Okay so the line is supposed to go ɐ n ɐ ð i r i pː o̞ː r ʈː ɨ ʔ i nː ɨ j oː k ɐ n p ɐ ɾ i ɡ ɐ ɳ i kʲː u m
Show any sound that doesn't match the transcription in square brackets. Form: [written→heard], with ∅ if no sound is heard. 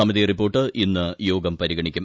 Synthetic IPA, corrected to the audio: ɐ [n→m] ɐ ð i r i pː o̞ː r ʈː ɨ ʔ i nː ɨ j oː [k→ɡ] ɐ [n→m] p ɐ ɾ i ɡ ɐ ɳ i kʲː u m

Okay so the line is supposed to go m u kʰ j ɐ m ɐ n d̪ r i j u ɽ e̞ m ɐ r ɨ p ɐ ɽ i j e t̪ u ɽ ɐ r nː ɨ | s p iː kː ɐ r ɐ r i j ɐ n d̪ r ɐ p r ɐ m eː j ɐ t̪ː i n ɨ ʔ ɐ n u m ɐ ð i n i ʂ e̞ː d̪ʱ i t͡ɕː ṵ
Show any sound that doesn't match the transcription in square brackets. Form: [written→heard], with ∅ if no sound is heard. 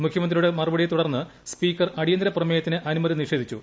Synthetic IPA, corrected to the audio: m u kʰ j ɐ m ɐ n d̪ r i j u ɽ e̞ m ɐ r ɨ [p→b] ɐ ɽ i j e t̪ u ɽ ɐ r nː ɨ | s p iː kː ɐ r ɐ [r→ɽ] i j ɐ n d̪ [r→ɾ] ɐ p r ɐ m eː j ɐ t̪ː i n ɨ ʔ ɐ n u m ɐ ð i n i ʂ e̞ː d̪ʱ i t͡ɕː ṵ

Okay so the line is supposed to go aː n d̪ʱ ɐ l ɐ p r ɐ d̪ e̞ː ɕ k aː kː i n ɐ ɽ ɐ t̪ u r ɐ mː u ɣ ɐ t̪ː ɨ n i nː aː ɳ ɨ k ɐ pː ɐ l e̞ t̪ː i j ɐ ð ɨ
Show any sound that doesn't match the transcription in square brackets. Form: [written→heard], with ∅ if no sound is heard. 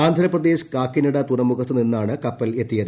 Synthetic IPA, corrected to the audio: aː n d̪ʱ ɐ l ɐ p r ɐ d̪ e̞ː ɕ k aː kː i n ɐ ɽ ɐ t̪ u r ɐ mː u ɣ ɐ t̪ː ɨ n i nː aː ɳ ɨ k ɐ pː ɐ l e̞ t̪ː i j ɐ ð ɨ

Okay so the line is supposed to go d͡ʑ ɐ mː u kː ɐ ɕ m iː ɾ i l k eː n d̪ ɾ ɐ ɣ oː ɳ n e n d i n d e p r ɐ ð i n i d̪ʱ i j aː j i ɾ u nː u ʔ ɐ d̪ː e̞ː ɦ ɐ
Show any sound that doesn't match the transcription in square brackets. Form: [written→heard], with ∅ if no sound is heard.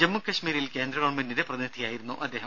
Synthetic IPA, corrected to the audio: d͡ʑ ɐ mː u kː ɐ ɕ m iː ɾ i l k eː n d̪ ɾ ɐ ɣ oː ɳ [n→m] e n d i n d e p r ɐ ð i n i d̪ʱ i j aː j i ɾ u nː u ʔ ɐ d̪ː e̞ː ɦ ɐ

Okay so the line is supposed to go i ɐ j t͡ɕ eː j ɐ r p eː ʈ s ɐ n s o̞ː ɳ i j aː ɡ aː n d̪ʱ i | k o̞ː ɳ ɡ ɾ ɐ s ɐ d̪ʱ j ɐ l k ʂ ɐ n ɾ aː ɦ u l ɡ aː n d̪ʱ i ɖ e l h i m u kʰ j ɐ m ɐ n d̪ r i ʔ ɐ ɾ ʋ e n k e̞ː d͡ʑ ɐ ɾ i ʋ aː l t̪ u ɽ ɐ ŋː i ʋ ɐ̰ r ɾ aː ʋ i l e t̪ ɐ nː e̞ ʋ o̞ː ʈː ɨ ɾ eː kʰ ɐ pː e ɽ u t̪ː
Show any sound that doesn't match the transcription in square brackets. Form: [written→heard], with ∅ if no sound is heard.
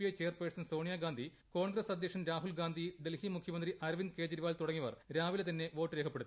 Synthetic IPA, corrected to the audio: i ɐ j t͡ɕ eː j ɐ r p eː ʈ s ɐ n s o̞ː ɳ i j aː ɡ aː n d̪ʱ i | k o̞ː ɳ ɡ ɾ ɐ s ɐ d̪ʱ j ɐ [l→∅] k ʂ ɐ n ɾ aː ɦ u l ɡ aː n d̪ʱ i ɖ e l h i m u kʰ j ɐ m ɐ n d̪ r i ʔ ɐ ɾ ʋ [e→i] n k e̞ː d͡ʑ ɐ ɾ i ʋ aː l t̪ u ɽ ɐ ŋː i ʋ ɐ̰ r ɾ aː ʋ i l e t̪ ɐ nː e̞ ʋ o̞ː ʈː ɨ ɾ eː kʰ ɐ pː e ɽ u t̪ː

